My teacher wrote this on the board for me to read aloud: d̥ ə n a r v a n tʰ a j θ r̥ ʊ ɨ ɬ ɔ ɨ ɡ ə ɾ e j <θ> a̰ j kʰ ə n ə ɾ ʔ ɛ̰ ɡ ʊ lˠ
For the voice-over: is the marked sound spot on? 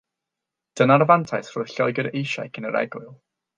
no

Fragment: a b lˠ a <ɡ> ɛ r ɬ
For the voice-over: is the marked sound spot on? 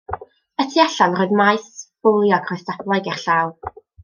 yes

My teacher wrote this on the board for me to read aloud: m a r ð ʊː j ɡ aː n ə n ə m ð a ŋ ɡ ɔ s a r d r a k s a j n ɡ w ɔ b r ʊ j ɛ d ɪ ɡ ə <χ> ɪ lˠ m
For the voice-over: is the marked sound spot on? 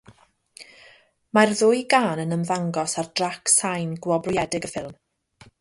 no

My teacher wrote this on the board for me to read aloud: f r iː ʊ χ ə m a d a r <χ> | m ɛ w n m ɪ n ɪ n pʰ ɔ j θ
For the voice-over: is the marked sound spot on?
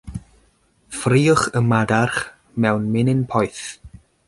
yes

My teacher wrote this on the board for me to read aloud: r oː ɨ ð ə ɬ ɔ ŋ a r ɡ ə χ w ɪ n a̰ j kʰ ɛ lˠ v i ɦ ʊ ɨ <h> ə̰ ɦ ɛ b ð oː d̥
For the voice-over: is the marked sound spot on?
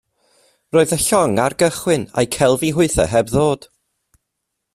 no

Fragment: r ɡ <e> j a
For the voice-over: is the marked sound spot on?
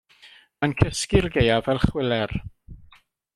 yes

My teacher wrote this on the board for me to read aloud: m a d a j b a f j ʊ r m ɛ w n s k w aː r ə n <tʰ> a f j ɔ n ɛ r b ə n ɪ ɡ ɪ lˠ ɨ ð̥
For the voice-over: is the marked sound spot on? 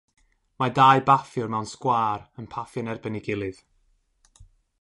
no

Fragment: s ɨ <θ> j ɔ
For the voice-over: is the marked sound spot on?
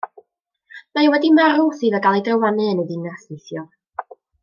yes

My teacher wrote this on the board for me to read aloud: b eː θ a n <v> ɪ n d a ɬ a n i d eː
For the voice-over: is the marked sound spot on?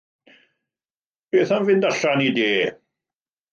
yes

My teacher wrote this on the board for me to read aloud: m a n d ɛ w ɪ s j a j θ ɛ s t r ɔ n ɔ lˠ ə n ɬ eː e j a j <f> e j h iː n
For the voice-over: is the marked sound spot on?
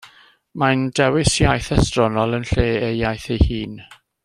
no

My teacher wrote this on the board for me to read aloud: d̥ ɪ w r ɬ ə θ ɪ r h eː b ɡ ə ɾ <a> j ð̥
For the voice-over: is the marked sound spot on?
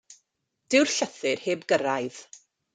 yes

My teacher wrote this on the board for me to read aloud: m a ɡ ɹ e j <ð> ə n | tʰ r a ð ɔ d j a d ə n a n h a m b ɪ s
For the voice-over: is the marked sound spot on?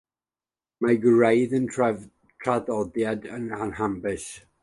yes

